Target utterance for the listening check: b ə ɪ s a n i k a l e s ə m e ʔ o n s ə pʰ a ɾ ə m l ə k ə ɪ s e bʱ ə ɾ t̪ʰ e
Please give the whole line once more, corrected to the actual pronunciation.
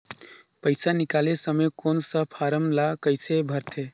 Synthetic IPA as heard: p ə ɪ s a n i k a l e s ə m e k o n s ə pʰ a ɾ ə m l a k ə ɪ s e bʱ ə ɾ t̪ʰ e